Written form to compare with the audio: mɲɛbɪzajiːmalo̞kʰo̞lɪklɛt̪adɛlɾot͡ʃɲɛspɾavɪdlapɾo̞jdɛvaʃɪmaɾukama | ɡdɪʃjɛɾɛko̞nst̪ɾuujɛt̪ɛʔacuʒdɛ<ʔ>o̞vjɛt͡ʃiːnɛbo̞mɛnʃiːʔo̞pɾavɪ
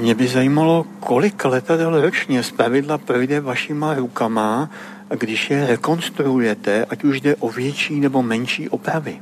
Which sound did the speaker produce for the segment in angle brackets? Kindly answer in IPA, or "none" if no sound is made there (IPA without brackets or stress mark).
ʔ